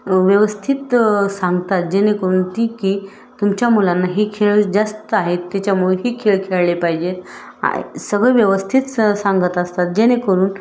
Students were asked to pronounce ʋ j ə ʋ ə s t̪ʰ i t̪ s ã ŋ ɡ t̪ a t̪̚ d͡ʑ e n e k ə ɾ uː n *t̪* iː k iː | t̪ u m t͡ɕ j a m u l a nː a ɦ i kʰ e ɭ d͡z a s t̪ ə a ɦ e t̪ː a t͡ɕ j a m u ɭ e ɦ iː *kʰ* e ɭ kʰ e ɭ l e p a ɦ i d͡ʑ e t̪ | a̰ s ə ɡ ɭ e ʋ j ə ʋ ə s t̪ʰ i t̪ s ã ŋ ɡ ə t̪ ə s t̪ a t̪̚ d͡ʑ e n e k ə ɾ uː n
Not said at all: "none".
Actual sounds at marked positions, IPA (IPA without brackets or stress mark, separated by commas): t̪, kʰ